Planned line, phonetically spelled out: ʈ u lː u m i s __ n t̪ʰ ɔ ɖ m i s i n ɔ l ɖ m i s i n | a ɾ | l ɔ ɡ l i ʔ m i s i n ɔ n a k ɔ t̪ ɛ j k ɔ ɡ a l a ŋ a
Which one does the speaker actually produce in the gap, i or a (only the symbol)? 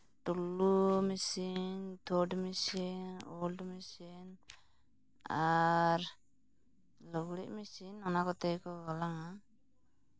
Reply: i